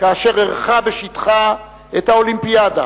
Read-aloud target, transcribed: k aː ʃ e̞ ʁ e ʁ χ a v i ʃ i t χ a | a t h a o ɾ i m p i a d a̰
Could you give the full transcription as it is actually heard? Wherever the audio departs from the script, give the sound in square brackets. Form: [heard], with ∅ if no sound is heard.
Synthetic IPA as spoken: k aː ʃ e̞ ʁ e ʁ χ a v [e] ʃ i t χ a | [e] t h a o [l] i m p i a d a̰